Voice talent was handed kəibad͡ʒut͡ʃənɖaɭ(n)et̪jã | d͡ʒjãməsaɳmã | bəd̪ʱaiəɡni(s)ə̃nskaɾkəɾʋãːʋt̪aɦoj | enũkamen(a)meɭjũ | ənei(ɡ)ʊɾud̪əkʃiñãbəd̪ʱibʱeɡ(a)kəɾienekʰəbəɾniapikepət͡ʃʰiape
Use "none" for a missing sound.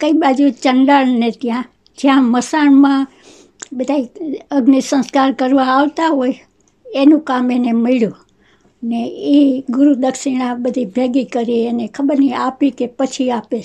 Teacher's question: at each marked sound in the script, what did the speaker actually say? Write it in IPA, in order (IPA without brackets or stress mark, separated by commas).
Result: n, s, e, ɡ, i